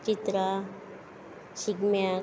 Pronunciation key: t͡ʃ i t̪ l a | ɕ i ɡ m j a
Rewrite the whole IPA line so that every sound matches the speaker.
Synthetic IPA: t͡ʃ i t̪ ɾ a | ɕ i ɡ m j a